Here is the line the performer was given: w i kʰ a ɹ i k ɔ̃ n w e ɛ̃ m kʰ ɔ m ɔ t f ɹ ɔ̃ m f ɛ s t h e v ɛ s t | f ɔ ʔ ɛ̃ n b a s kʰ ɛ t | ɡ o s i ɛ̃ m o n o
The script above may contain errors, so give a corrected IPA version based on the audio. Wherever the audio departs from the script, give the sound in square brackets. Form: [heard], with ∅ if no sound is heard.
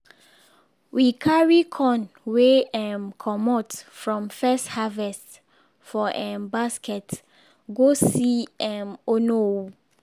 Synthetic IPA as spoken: w i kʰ a ɹ i [kʰ] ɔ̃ n w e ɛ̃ m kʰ ɔ m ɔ t f ɹ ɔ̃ m f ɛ s t h [a] v ɛ s t | f ɔ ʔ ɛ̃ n b a s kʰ ɛ t | ɡ o s i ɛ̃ m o n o